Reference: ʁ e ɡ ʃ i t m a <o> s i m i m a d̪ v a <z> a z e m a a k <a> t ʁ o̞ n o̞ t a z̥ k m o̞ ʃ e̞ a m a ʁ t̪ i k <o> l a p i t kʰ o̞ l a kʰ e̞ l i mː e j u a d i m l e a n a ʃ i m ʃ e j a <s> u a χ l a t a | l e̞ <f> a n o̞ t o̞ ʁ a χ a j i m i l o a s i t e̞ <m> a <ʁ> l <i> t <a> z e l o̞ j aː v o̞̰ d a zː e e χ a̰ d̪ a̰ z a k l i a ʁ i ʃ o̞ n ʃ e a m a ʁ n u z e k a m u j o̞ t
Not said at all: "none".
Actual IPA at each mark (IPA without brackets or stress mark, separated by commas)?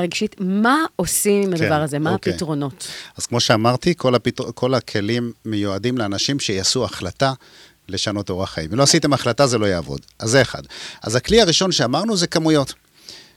o, ʁ, i, o, s, ʃ, m, χ, a, a